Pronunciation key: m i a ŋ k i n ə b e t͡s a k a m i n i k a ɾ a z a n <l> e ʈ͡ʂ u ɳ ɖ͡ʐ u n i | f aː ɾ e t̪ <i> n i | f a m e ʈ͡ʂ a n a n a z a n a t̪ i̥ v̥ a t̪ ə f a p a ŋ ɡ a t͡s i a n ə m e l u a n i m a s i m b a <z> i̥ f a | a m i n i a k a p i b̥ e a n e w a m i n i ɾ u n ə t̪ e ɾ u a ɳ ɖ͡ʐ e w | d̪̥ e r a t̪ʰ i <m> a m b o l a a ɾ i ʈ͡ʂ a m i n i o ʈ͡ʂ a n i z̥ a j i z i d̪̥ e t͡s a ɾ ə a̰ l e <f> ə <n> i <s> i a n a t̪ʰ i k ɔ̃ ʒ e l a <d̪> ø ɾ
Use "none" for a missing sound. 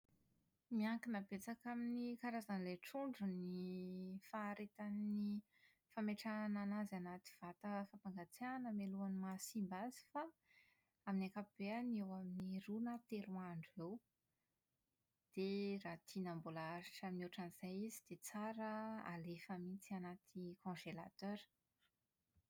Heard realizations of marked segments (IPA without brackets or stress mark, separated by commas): l, a, z, n, f, m, t͡s, t̪